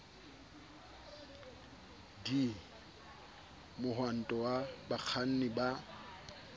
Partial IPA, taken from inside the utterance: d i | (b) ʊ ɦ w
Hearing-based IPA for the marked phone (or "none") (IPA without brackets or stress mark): m